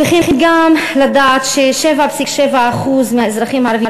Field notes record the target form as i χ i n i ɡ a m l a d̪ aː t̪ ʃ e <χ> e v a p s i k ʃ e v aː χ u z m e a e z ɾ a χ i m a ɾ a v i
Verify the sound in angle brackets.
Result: incorrect: ʃ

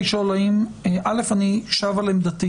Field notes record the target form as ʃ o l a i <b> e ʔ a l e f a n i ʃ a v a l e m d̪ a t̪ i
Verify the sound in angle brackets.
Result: incorrect: m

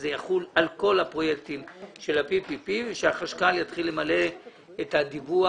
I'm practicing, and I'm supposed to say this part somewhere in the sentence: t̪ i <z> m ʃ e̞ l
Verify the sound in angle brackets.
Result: incorrect: none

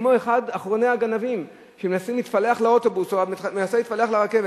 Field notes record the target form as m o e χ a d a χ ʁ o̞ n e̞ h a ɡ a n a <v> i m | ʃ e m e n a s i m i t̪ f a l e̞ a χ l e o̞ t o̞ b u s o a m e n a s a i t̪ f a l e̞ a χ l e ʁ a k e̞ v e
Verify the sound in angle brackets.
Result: correct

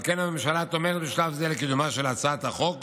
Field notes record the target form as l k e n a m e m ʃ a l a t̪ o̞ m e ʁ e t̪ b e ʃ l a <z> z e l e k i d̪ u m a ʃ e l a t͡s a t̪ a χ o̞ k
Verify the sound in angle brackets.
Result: incorrect: v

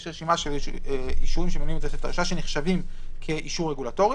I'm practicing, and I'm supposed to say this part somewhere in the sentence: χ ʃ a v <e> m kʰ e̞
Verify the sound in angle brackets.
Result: incorrect: i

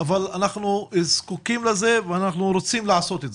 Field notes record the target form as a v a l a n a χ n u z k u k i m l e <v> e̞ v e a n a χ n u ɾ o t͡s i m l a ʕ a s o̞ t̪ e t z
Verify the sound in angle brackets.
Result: incorrect: z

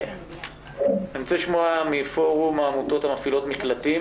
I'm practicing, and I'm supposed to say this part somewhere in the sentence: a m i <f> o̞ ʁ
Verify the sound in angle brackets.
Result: correct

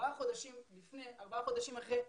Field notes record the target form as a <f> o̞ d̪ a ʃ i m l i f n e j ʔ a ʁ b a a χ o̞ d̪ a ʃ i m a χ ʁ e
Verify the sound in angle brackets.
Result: incorrect: χ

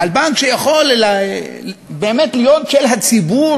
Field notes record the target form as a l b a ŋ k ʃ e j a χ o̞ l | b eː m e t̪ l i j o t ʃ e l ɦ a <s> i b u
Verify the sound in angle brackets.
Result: incorrect: t͡s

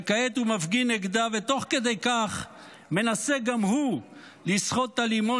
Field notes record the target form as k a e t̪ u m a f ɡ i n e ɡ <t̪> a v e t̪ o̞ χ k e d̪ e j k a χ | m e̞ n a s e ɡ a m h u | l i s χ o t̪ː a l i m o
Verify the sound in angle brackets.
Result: incorrect: d̪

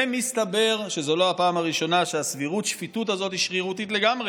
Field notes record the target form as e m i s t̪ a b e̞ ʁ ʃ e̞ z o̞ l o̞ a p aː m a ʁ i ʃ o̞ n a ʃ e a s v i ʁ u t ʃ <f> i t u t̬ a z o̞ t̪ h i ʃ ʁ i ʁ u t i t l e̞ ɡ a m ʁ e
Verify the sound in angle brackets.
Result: correct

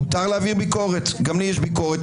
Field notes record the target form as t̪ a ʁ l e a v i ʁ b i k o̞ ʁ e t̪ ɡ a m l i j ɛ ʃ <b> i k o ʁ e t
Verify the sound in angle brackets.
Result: correct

